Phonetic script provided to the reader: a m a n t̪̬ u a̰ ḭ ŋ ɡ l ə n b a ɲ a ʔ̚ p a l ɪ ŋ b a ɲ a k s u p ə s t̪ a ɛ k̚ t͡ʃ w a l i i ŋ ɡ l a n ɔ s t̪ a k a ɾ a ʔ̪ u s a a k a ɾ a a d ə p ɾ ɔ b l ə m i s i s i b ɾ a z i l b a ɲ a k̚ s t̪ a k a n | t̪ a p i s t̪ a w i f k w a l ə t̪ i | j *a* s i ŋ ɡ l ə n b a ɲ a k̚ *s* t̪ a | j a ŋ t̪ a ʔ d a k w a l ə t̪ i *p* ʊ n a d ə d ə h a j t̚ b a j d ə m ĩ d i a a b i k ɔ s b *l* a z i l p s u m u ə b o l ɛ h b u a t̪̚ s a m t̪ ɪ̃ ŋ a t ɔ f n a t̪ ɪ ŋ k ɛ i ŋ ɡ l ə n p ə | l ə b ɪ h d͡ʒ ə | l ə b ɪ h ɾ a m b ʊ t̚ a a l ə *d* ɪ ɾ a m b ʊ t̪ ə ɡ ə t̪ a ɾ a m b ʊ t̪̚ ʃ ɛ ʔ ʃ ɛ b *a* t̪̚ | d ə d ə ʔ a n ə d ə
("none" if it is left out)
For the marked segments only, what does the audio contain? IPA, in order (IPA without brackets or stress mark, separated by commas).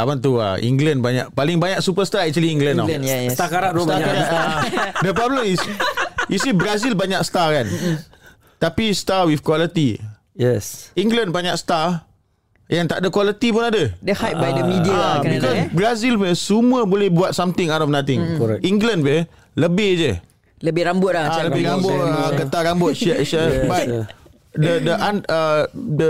ɛ, s, p, ɾ, b, a